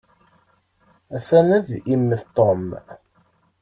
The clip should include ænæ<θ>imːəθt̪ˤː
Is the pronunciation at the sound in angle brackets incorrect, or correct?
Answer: incorrect